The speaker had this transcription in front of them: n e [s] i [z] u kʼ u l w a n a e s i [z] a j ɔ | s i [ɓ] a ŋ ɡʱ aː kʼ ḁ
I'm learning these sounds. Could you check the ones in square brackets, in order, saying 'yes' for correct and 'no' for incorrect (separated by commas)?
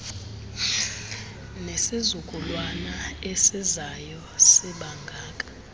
yes, yes, yes, yes